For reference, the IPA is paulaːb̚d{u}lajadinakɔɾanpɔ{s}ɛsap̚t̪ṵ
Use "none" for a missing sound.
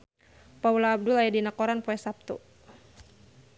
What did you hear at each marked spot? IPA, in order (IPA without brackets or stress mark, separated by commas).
u, none